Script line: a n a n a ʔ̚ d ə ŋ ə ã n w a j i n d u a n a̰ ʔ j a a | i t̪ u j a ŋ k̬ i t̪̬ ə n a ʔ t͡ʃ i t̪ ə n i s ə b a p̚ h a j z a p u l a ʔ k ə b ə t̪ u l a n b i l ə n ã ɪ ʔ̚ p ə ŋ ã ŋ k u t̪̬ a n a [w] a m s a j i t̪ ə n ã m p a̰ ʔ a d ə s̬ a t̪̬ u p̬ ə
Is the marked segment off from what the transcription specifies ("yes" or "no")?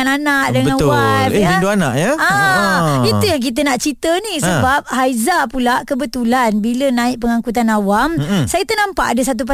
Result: no